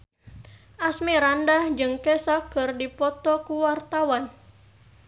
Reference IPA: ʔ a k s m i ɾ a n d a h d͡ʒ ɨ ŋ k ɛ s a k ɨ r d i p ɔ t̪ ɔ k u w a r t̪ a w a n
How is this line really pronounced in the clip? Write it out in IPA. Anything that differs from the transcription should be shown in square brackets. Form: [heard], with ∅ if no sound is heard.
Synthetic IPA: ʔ a [∅] s m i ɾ a n d a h d͡ʒ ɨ ŋ k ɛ s a k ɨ r d i p ɔ t̪ ɔ k u w a r t̪ a w a n